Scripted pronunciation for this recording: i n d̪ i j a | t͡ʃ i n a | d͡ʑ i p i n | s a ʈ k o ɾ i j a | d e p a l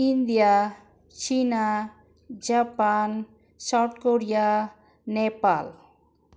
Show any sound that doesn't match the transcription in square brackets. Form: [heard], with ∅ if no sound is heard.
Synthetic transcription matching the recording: i n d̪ i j a | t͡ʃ i n a | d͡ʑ [a] p [a] n | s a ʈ k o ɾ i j a | [n] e p a l